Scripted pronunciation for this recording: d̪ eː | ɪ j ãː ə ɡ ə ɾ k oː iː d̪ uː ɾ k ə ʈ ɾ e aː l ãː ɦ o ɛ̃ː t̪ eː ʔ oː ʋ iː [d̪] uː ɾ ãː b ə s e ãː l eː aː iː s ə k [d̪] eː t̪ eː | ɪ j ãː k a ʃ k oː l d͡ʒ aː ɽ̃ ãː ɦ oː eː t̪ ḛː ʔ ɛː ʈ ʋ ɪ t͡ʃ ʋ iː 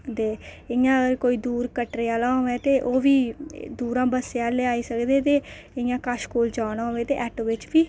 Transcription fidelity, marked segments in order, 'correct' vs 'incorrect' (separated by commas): correct, correct